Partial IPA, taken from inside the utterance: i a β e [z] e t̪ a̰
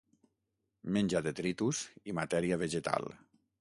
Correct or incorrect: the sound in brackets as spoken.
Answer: incorrect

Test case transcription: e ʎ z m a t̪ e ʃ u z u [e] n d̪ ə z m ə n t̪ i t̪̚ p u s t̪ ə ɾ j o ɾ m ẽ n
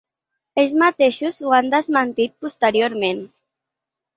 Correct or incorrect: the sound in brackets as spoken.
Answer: incorrect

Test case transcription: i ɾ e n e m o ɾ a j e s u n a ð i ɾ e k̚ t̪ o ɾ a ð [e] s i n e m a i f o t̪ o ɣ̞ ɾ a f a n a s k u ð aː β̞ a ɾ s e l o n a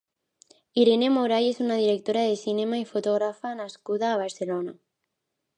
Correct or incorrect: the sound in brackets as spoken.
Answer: correct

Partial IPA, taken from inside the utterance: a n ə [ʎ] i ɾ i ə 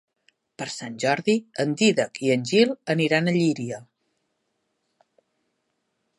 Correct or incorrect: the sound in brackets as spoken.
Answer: correct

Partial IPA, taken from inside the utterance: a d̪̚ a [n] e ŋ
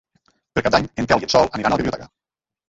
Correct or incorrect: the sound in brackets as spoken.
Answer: incorrect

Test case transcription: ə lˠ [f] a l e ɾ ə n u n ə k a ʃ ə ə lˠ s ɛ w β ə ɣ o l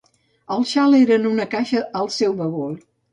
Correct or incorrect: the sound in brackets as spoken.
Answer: incorrect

